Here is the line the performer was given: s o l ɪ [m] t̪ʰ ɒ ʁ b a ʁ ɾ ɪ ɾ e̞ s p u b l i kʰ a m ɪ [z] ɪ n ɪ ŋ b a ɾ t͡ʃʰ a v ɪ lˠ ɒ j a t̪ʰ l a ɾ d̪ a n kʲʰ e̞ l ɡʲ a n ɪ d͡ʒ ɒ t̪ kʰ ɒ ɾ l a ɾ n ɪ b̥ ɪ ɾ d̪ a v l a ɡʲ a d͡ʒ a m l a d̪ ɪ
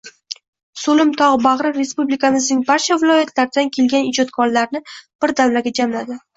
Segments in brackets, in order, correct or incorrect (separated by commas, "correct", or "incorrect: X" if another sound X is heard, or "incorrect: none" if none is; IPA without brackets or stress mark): correct, correct